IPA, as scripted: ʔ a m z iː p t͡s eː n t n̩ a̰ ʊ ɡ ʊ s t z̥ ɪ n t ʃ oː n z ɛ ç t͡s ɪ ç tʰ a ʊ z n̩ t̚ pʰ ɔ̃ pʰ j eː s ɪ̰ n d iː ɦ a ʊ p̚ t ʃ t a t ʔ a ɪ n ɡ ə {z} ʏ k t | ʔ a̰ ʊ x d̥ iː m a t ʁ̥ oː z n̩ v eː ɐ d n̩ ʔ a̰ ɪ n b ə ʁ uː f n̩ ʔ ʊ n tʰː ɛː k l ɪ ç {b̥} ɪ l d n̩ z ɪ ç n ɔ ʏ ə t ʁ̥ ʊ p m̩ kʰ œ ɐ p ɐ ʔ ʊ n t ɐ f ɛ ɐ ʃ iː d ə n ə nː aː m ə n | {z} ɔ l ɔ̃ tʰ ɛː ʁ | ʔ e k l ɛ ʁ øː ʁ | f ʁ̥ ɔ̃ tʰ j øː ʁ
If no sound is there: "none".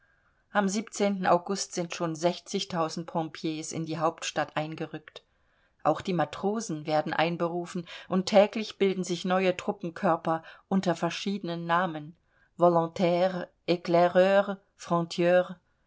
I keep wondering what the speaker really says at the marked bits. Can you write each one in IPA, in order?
ʁ, b̥, v

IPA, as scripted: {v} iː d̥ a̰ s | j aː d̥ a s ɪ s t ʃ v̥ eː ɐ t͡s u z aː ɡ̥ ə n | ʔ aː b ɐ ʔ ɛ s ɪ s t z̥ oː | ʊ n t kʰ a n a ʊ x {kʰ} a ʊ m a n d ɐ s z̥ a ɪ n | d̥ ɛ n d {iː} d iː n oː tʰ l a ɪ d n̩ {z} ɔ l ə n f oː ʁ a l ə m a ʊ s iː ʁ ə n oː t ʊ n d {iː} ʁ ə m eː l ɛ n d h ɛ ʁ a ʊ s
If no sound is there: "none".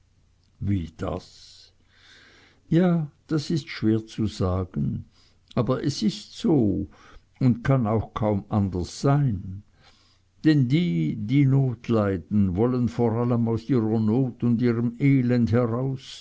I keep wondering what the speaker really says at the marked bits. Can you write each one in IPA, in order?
v, kʰ, iː, v, iː

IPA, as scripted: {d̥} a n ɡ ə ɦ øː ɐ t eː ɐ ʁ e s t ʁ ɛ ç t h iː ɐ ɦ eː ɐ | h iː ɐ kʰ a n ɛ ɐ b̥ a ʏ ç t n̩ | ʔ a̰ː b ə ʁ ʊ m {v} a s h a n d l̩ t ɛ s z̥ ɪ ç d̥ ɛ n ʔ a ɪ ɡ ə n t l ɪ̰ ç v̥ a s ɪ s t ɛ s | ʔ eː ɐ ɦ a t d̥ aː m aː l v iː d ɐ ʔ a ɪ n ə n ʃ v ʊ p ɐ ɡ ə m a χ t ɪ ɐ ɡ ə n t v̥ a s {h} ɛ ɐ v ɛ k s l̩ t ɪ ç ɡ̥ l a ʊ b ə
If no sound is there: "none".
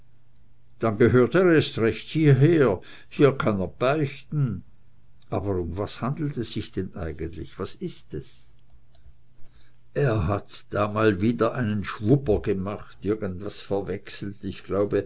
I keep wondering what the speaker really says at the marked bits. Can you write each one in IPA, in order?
d̥, v, f

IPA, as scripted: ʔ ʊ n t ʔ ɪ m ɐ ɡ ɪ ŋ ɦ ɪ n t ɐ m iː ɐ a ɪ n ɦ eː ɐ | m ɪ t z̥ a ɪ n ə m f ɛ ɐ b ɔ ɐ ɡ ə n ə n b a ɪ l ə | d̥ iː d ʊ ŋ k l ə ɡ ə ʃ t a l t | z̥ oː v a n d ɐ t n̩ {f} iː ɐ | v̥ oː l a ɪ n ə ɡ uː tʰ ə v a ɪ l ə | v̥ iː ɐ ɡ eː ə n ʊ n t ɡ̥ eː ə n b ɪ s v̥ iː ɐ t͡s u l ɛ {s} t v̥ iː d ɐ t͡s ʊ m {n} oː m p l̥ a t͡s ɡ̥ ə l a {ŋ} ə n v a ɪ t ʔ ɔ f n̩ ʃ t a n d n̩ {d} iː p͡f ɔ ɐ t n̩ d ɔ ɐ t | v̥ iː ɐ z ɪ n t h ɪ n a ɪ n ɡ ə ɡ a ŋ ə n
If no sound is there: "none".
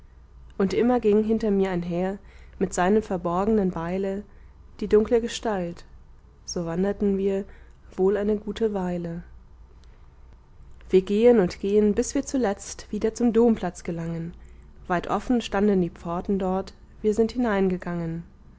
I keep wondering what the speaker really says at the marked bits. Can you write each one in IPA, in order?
v, t͡s, d, ŋ, d

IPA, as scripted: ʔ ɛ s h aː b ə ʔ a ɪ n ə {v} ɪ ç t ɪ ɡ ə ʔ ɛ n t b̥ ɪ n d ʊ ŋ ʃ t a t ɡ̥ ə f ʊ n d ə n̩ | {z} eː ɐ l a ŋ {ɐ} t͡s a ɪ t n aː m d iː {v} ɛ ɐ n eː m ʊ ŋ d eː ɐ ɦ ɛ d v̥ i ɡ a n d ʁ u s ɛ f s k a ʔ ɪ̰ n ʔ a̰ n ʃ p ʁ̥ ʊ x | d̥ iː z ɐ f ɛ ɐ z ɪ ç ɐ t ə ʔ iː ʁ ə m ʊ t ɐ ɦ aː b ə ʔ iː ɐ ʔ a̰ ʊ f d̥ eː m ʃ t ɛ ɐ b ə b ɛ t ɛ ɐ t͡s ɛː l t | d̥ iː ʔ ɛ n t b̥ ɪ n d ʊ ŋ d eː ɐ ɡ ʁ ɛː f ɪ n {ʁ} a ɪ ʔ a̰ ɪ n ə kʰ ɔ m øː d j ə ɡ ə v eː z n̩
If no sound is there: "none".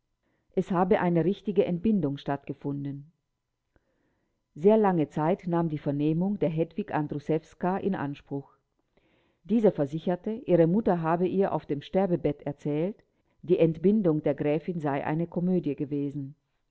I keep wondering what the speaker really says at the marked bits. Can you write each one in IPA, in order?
ʁ, z, ə, f, z

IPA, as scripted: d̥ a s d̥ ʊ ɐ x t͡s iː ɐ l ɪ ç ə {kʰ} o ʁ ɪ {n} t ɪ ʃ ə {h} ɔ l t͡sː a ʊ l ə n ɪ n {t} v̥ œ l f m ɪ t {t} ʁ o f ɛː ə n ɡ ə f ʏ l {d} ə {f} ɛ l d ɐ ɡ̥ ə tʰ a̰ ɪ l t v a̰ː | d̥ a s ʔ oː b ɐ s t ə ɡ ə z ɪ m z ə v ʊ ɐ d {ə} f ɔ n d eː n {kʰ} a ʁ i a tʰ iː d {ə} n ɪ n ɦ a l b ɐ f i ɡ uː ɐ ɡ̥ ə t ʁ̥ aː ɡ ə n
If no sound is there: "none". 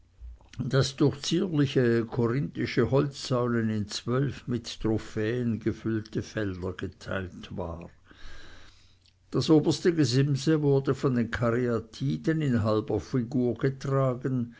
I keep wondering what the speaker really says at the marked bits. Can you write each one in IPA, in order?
kʰ, n, h, t͡s, t, t, f, ə, kʰ, ə

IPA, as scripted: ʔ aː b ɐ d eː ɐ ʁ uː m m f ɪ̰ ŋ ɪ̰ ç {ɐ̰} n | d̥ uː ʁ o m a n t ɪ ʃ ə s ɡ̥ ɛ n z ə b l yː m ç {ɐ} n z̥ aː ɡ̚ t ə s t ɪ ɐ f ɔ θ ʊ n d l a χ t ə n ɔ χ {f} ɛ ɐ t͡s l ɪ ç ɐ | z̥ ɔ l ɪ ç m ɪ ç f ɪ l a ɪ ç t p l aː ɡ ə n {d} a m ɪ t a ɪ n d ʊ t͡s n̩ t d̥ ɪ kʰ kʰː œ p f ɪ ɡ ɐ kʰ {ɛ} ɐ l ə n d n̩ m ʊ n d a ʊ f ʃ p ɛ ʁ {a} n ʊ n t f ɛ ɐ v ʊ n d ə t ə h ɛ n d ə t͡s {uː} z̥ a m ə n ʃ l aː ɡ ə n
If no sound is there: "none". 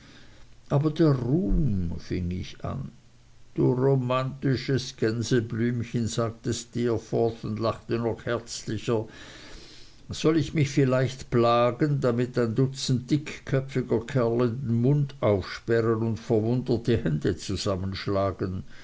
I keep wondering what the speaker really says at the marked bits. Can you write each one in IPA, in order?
a̰, ə, h, d, ɛ, ə, u

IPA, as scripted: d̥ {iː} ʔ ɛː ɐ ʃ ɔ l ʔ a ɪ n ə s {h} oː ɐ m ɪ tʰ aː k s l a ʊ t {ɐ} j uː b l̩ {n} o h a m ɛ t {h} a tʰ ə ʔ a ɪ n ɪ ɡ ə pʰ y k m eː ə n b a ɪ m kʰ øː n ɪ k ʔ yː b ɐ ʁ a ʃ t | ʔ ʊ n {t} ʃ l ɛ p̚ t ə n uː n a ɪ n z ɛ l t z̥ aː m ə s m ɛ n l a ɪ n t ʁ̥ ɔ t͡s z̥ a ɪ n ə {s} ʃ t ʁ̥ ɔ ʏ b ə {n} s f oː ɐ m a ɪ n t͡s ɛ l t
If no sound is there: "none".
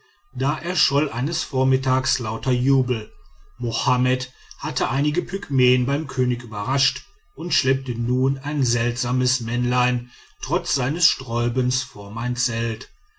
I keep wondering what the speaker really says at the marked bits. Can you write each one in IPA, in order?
aː, f, ɐ, m, h, t, s, n

